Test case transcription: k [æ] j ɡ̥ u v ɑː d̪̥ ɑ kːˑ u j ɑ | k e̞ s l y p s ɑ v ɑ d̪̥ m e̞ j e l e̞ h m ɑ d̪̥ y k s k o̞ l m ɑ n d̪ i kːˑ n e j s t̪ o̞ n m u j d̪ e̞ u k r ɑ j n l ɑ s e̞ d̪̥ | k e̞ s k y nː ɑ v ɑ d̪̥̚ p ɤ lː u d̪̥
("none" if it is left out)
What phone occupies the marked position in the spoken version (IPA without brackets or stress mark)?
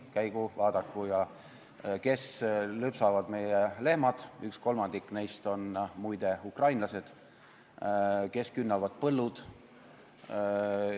æ